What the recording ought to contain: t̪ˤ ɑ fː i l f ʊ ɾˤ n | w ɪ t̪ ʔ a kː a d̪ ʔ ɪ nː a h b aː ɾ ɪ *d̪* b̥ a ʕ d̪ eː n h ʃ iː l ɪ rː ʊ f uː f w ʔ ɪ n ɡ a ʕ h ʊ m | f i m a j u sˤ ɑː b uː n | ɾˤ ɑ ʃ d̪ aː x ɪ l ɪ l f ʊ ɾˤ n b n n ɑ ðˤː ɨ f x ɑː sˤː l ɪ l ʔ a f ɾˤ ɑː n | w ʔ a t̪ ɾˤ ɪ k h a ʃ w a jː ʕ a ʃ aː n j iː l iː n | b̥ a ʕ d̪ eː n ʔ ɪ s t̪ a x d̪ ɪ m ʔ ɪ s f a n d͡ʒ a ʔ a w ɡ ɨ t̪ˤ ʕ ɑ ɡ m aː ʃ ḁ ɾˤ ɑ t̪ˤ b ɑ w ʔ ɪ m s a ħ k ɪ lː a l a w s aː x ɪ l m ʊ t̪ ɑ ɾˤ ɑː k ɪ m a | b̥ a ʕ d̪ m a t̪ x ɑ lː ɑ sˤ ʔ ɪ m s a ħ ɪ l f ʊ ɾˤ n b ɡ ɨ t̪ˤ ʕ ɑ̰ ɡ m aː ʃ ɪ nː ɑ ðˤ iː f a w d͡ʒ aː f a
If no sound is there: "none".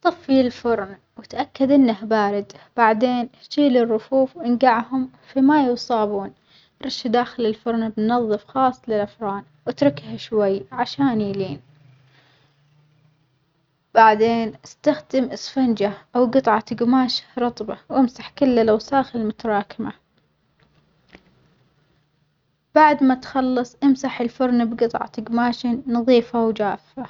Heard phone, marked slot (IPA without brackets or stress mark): d̪